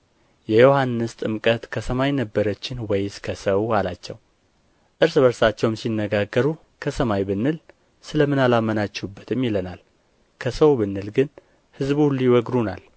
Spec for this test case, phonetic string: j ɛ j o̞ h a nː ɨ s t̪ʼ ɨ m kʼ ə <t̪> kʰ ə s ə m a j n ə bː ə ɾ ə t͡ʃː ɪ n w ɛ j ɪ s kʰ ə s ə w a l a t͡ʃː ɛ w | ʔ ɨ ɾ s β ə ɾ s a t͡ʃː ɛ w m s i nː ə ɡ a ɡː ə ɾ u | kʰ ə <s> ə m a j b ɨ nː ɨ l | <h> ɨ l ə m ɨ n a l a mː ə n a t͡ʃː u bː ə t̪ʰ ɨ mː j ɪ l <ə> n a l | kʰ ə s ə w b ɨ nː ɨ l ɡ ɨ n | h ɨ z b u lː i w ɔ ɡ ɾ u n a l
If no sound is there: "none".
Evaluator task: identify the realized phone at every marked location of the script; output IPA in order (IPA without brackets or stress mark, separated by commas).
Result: t̪, s, s, ə